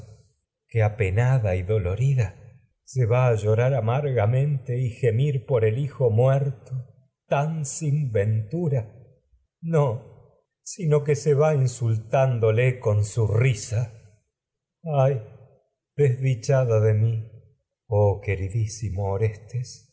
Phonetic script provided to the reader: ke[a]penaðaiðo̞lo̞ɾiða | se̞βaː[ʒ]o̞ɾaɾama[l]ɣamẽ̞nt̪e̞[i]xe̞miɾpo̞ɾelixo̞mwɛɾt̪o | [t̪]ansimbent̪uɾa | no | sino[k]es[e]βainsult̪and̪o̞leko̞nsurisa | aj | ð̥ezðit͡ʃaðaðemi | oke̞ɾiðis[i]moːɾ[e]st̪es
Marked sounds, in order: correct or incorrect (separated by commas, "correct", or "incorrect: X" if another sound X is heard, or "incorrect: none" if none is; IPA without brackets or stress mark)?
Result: correct, correct, incorrect: ɾ, correct, correct, correct, correct, correct, correct